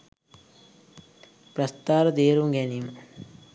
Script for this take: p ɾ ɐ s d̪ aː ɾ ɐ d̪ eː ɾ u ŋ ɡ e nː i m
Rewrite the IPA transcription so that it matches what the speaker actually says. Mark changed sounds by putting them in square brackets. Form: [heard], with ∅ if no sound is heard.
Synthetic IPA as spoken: p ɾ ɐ s [t̪] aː ɾ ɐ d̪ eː ɾ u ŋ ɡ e [n] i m